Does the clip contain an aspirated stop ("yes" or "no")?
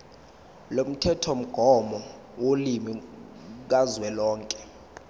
yes